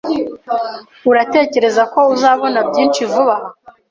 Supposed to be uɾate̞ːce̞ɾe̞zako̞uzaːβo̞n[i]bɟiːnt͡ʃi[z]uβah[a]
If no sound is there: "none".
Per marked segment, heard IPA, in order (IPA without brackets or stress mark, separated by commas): a, v, a